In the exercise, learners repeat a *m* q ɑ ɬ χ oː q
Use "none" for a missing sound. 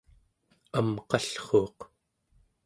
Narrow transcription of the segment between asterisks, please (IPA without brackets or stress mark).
m